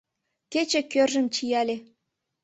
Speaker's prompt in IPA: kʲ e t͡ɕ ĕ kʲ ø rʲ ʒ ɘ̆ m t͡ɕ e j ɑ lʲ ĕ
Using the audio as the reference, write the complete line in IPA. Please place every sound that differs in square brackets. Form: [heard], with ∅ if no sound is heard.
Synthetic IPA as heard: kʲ e t͡ɕ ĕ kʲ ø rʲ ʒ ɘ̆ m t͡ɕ [i] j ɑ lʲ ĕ